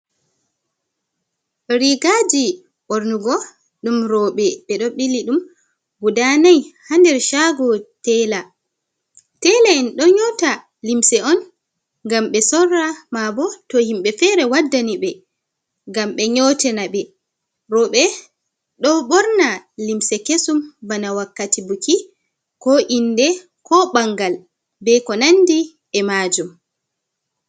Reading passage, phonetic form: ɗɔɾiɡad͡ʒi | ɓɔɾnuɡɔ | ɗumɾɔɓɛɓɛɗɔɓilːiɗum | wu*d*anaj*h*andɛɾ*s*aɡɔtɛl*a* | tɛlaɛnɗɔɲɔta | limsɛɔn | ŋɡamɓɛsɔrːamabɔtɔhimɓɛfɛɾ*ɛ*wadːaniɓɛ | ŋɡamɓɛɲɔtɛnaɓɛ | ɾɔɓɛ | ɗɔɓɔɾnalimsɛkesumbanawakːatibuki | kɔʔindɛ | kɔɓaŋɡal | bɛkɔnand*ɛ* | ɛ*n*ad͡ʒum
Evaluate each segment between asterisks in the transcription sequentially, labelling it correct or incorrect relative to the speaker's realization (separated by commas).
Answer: correct, correct, incorrect, correct, correct, incorrect, incorrect